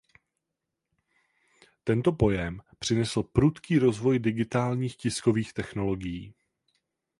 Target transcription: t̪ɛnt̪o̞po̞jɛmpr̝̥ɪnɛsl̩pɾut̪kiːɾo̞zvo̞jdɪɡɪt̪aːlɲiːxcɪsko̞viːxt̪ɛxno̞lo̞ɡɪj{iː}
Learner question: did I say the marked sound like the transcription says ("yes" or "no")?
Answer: yes